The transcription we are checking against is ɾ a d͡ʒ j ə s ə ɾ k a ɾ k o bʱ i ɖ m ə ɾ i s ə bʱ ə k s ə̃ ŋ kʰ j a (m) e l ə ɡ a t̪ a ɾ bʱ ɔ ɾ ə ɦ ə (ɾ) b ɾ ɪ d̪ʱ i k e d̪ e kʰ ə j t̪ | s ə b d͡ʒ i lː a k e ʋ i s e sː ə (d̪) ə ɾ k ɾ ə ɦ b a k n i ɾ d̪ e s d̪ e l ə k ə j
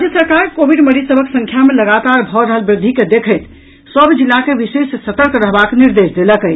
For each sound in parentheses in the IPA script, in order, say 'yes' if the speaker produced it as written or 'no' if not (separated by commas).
yes, no, no